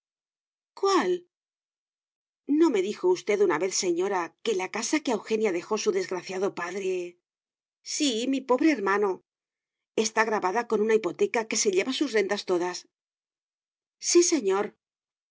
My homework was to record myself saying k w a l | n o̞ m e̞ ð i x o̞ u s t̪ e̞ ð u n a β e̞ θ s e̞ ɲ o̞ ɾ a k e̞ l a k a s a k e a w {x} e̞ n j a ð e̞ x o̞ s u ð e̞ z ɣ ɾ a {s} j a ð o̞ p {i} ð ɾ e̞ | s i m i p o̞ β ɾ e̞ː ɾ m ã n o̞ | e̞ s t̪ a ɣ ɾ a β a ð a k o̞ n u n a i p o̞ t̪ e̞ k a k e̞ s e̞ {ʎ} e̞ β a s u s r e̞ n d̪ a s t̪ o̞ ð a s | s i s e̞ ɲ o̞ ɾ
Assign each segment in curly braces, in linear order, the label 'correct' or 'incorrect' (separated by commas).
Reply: correct, incorrect, incorrect, correct